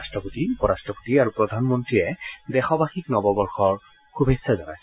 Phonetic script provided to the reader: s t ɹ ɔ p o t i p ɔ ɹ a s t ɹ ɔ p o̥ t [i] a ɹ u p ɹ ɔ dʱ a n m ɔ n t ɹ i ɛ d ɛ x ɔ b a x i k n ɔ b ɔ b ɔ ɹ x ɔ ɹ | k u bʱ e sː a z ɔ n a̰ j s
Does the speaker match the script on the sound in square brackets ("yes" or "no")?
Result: yes